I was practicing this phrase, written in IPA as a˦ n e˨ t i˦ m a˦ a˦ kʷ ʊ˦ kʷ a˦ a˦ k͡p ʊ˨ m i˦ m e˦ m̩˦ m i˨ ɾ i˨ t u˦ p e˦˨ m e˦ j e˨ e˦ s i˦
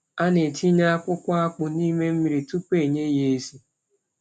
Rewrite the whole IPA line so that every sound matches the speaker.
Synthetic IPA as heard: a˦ n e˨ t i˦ ɲ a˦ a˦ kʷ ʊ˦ kʷ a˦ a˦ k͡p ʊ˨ n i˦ m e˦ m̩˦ m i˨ ɾ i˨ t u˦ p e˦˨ ɲ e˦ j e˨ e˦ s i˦